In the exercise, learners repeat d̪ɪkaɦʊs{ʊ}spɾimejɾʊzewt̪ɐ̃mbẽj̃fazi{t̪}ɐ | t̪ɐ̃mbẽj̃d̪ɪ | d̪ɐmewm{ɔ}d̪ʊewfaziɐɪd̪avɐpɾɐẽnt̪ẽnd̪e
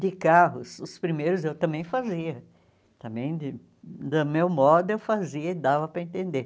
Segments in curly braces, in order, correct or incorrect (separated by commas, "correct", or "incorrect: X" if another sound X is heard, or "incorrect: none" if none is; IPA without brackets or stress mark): correct, incorrect: none, correct